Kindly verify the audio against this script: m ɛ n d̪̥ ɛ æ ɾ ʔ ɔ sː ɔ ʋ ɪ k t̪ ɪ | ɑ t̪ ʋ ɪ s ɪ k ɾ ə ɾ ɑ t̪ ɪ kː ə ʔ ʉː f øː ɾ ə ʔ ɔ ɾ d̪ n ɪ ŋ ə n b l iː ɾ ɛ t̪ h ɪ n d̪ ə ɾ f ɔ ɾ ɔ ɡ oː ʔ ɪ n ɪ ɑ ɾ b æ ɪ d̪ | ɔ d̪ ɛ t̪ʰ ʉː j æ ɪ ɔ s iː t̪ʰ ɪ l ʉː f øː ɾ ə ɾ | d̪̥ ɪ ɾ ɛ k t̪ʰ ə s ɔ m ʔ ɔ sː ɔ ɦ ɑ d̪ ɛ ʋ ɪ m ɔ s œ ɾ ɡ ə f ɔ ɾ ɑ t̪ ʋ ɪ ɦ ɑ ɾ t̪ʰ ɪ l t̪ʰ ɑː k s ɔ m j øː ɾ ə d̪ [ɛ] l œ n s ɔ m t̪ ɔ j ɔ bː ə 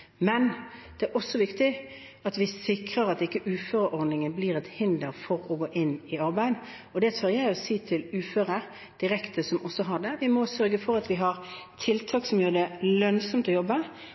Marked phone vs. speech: correct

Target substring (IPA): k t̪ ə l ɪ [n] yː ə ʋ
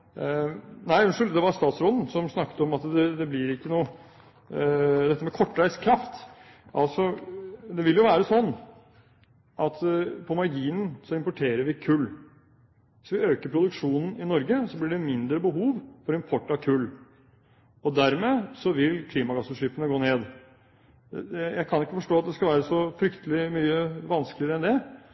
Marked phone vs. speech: incorrect: m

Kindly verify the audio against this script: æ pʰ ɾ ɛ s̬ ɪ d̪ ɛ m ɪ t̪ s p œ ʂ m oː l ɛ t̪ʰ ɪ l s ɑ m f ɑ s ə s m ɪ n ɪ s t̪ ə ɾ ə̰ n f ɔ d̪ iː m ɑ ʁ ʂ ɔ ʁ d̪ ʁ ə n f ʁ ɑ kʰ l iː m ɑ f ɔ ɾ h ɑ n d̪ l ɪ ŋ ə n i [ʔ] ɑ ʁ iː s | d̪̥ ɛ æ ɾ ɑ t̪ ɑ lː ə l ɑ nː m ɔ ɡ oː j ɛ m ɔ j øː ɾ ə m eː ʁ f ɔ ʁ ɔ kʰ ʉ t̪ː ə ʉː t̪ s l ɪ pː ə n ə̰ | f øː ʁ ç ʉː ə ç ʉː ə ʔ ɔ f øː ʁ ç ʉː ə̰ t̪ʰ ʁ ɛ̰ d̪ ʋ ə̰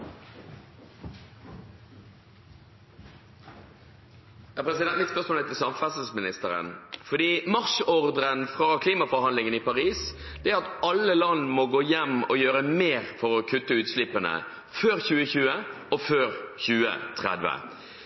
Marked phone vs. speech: incorrect: p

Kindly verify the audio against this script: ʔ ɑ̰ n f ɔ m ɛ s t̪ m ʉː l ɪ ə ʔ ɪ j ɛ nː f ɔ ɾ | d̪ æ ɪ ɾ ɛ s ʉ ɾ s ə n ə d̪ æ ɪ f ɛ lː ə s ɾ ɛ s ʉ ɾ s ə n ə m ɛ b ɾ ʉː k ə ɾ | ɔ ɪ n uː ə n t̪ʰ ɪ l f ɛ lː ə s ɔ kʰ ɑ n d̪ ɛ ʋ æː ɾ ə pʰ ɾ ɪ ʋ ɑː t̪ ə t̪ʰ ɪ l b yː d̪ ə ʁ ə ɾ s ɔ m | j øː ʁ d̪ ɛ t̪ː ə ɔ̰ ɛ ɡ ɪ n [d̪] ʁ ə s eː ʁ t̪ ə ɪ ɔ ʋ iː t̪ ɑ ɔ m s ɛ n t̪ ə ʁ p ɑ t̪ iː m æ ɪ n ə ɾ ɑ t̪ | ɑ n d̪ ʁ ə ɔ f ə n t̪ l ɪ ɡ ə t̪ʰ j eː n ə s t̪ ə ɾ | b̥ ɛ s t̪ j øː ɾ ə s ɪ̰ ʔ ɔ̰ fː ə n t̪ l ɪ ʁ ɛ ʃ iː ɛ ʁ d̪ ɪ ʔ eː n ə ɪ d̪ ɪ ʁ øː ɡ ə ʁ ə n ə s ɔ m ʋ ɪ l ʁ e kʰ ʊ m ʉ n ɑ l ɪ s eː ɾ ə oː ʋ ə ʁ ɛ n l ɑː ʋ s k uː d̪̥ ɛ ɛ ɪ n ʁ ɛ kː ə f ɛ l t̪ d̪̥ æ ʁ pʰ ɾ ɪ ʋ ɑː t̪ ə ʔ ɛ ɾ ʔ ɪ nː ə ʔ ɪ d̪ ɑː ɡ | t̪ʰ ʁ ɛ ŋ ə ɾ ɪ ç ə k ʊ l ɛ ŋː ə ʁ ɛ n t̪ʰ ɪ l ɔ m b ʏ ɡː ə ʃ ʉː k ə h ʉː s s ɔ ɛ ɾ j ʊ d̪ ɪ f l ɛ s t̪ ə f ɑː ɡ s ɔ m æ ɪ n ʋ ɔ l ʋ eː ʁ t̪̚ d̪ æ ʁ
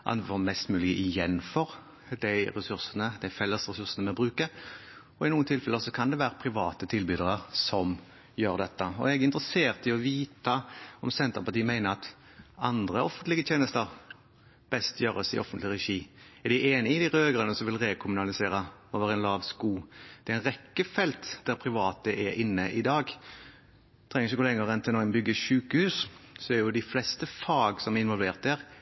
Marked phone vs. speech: incorrect: t̪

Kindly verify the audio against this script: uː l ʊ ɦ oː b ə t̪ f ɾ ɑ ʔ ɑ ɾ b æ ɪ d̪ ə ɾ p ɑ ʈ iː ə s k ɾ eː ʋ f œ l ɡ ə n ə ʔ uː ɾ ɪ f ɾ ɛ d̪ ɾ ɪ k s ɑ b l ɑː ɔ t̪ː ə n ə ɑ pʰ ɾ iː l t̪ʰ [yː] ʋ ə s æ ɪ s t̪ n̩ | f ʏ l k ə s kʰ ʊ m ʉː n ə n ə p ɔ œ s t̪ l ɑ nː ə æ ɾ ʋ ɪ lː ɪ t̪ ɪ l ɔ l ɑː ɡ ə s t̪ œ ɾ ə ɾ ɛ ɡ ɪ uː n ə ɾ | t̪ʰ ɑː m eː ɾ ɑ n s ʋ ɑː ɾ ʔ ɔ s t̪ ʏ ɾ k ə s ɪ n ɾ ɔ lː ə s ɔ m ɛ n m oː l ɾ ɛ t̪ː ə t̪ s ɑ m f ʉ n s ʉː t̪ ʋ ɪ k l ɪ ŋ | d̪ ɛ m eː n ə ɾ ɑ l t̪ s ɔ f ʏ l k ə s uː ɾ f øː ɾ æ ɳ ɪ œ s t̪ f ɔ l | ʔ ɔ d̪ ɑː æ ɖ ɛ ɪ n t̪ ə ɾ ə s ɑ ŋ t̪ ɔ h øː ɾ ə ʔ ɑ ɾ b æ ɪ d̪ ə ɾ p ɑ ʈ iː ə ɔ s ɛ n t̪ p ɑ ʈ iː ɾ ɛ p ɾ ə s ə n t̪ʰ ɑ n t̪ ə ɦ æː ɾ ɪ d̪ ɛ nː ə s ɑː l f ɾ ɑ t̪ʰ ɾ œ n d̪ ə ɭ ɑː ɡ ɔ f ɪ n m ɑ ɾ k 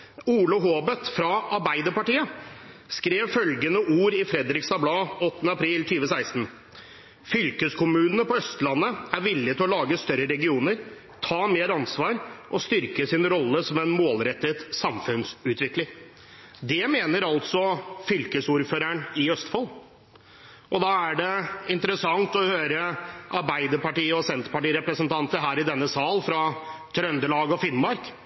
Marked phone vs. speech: correct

